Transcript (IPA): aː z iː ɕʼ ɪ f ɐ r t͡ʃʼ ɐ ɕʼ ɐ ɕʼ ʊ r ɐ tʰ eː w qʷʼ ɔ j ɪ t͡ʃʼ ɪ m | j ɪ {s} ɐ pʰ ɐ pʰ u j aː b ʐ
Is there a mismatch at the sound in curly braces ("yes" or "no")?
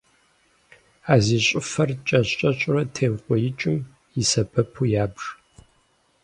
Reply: no